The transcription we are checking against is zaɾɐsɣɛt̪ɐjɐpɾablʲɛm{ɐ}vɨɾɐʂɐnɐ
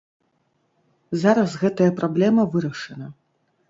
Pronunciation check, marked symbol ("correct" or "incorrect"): correct